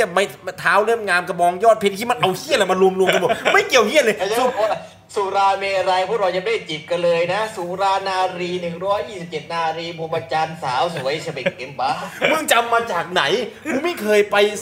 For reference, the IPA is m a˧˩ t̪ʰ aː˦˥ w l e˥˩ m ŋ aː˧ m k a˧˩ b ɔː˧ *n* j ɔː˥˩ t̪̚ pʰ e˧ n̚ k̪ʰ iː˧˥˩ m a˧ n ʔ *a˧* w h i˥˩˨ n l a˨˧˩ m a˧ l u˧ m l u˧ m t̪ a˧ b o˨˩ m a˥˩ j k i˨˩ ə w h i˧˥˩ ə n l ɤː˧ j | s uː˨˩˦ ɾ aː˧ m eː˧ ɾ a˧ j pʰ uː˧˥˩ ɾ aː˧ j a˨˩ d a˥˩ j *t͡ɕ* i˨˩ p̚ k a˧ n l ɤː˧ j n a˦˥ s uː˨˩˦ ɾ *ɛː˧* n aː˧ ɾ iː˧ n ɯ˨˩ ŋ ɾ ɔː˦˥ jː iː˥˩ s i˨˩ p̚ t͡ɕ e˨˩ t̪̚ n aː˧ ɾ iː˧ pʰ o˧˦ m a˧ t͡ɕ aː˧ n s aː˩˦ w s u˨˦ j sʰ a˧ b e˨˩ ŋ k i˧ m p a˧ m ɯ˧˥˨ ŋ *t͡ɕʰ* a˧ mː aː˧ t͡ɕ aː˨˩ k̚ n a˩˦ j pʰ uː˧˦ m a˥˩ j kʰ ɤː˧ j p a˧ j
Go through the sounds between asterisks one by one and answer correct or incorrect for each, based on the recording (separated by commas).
incorrect, correct, correct, incorrect, incorrect